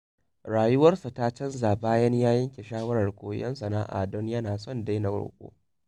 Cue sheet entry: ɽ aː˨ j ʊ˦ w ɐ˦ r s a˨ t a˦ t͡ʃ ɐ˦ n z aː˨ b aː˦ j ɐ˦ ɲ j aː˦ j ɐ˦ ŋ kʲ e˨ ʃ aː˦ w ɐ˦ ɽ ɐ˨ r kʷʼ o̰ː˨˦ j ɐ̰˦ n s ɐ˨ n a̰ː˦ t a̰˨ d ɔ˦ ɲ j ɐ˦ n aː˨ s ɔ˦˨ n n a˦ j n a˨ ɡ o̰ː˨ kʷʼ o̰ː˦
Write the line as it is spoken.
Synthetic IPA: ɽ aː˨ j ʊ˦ w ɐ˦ r s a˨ t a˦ t͡ʃ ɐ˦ n z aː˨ b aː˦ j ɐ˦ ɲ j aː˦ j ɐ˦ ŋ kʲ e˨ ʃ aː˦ w ɐ˦ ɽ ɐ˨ r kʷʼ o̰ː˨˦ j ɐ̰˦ n s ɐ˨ n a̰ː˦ ʔ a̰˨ d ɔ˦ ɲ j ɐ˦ n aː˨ s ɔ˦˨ n d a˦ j n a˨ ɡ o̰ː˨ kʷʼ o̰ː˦

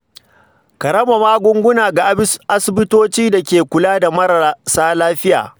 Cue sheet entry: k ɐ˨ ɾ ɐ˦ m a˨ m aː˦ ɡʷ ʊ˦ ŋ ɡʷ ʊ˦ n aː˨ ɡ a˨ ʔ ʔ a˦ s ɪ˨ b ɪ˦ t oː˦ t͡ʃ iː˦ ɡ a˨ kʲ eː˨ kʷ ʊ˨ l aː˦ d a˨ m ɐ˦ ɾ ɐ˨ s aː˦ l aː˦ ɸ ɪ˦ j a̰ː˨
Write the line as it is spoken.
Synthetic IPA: k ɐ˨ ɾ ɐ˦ m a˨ m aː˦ ɡʷ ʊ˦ ŋ ɡʷ ʊ˦ n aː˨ ɡ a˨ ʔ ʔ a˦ s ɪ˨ b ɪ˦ t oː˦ t͡ʃ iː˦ d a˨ kʲ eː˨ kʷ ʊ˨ l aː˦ d a˨ m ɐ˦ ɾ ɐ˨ s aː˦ l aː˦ ɸ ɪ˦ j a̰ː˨

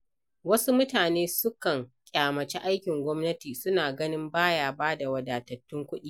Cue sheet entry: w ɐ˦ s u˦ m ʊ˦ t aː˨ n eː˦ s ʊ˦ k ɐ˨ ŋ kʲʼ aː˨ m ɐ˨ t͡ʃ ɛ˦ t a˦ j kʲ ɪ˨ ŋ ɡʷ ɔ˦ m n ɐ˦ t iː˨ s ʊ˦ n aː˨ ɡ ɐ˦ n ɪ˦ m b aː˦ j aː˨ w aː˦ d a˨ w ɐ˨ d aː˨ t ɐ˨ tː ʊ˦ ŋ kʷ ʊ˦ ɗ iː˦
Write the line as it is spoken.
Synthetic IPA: w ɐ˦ s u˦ m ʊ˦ t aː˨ n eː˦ s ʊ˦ k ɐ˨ ŋ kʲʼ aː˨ m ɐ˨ t͡ʃ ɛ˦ ʔ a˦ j kʲ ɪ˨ ŋ ɡʷ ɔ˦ m n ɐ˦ t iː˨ s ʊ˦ n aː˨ ɡ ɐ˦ n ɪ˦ m b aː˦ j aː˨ b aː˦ d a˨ w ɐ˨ d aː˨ t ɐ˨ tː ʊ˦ ŋ kʷ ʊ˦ ɗ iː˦

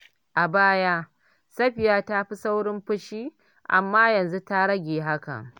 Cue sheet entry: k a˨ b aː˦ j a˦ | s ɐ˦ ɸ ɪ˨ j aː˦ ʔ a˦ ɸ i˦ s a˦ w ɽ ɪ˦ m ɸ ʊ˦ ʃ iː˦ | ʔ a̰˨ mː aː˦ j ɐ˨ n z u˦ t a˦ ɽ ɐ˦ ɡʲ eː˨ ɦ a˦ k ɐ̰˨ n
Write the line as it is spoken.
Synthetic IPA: ʔ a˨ b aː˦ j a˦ | s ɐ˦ ɸ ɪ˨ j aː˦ t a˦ ɸ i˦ s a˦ w ɽ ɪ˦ m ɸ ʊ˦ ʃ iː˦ | ʔ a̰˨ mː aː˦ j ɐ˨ n z u˦ t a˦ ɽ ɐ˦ ɡʲ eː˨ ɦ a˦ k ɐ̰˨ ŋ

